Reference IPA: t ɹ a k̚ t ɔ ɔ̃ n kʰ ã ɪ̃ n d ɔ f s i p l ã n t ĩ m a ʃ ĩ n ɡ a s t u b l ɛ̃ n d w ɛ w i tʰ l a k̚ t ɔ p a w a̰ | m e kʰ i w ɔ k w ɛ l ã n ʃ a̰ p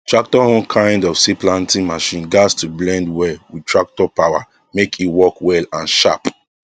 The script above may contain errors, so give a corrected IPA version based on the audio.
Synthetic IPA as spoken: t ɹ a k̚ t ɔ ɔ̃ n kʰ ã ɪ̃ n d ɔ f s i p l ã n t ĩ m a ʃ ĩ n ɡ a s t u b l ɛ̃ n d w ɛ w i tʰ ɹ a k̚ t ɔ p a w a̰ | m e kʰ i w ɔ k w ɛ l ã n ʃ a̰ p